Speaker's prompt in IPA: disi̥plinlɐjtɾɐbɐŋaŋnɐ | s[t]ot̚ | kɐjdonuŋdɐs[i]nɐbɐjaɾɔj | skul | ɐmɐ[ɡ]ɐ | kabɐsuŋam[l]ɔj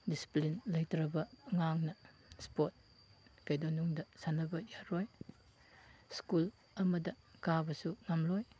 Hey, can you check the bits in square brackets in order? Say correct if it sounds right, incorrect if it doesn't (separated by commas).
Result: incorrect, incorrect, incorrect, correct